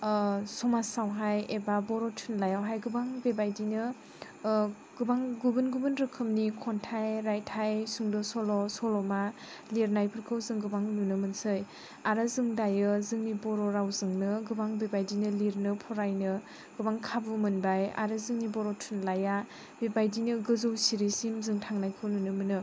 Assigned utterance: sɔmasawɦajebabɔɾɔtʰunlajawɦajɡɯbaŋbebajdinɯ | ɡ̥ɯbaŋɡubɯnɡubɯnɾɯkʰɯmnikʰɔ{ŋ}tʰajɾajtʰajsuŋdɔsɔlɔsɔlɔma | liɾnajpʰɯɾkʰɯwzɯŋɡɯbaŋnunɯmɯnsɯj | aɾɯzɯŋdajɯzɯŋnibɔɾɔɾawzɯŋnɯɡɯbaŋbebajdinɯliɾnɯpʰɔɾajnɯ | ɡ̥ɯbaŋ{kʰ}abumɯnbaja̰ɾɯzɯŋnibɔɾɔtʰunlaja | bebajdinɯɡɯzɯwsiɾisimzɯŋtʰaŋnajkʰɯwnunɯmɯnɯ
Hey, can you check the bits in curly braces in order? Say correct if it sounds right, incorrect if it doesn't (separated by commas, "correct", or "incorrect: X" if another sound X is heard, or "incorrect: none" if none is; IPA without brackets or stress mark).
incorrect: n, correct